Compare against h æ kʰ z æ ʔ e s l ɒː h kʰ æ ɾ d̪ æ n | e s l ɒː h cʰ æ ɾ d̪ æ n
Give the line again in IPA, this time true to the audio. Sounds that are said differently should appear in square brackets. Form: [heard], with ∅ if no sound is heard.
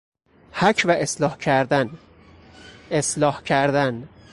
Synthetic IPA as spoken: h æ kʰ [v] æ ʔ e s l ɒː h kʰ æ ɾ d̪ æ n | e s l ɒː h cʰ æ ɾ d̪ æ n